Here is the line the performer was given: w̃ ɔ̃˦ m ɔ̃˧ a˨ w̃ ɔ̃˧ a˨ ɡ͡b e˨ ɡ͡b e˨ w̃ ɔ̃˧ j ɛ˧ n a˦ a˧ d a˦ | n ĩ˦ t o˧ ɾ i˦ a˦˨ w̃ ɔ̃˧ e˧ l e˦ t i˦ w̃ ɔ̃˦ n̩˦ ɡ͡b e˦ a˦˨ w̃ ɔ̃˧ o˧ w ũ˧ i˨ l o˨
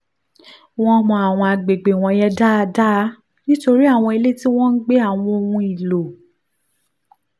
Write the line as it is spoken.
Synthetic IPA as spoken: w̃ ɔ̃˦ m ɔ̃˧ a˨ w̃ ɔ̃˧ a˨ ɡ͡b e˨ ɡ͡b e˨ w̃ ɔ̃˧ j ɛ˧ d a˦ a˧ d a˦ | n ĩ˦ t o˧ ɾ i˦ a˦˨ w̃ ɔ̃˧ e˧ l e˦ t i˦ w̃ ɔ̃˦ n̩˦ ɡ͡b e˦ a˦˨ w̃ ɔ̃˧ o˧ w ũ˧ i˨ l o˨